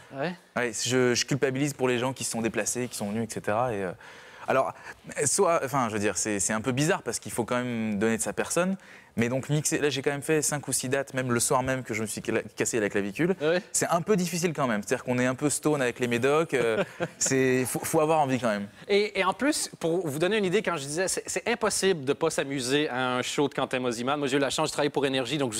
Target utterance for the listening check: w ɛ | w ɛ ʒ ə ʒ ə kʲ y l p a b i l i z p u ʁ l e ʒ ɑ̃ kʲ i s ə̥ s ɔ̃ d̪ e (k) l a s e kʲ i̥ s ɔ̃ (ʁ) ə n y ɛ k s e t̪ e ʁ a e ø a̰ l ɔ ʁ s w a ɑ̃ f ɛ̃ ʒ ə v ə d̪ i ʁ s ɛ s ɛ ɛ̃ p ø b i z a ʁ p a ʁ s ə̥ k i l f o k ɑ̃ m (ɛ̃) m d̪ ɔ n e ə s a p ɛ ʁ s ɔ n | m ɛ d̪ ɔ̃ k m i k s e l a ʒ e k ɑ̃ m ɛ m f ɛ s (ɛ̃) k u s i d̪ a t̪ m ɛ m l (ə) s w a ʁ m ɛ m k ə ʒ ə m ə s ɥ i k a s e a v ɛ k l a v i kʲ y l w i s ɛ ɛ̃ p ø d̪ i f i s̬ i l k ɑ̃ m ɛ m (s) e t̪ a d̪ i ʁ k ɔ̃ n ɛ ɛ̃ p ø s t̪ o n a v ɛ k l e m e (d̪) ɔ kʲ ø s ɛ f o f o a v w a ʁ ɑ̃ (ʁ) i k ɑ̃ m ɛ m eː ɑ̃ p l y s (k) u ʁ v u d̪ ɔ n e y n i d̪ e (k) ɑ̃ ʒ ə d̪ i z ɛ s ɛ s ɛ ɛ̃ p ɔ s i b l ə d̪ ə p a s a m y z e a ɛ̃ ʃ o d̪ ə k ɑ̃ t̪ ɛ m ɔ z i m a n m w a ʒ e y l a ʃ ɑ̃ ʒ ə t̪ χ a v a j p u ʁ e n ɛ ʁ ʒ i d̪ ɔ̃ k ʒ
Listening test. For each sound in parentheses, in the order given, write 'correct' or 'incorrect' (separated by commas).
incorrect, incorrect, incorrect, correct, correct, correct, correct, incorrect, incorrect, correct